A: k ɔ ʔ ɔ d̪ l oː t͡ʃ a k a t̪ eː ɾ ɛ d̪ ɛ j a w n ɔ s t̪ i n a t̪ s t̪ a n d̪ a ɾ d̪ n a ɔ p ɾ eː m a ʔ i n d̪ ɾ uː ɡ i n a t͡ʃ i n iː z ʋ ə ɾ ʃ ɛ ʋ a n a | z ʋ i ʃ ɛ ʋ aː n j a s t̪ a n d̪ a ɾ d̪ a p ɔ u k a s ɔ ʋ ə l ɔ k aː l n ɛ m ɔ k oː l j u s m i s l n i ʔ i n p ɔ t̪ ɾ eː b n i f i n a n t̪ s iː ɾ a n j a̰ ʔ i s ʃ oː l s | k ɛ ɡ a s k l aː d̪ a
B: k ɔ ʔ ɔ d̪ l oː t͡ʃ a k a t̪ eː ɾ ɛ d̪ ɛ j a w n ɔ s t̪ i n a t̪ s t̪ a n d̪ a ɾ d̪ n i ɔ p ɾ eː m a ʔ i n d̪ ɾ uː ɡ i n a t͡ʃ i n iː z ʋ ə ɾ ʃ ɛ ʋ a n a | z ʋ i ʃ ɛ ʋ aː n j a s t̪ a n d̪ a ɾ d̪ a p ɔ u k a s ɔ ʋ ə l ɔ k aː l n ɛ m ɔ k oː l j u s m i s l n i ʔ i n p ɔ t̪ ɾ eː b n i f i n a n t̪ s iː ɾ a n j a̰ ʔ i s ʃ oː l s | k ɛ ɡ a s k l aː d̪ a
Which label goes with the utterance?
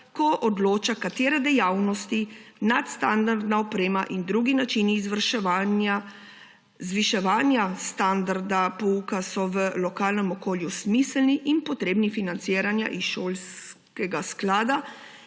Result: A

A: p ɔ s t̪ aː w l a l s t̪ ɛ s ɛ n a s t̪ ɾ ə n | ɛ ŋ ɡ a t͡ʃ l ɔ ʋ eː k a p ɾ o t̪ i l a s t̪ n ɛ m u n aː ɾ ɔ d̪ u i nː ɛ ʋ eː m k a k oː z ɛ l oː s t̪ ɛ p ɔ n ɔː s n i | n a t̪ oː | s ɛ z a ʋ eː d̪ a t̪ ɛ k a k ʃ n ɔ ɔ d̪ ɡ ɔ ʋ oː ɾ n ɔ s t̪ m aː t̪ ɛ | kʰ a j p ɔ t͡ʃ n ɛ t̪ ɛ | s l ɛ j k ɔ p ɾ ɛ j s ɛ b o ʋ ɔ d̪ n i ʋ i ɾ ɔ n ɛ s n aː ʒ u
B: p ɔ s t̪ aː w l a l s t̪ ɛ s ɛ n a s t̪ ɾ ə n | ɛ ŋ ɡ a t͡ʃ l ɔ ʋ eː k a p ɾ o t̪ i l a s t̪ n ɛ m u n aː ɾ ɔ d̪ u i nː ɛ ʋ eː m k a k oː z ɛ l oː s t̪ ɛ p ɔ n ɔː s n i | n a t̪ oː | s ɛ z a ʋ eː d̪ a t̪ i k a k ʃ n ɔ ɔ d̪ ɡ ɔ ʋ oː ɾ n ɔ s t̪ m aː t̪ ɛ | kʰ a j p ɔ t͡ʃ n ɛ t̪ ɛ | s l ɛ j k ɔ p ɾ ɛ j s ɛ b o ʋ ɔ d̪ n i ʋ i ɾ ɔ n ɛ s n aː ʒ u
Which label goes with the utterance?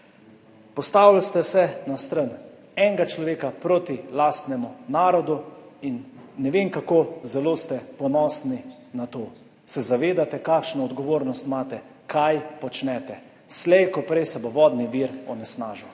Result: A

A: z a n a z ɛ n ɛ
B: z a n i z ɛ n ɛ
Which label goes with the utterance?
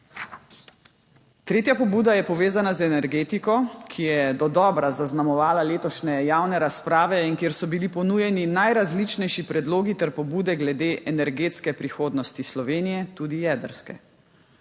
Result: A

